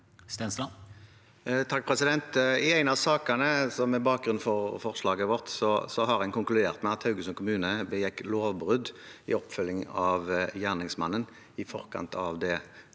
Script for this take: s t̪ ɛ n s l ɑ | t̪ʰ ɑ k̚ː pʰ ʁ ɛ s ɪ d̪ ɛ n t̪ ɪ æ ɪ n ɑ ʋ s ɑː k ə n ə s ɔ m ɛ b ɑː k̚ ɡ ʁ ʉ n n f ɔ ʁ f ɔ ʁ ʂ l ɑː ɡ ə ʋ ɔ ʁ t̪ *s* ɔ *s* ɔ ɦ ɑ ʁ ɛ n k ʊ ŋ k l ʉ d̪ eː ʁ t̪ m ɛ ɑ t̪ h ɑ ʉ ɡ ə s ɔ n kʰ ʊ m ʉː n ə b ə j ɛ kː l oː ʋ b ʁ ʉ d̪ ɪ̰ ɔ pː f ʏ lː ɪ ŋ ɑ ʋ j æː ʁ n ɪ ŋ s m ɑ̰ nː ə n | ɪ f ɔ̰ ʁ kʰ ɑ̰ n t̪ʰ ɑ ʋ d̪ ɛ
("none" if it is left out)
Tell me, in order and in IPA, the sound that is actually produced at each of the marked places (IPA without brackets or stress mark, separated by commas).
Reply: s, s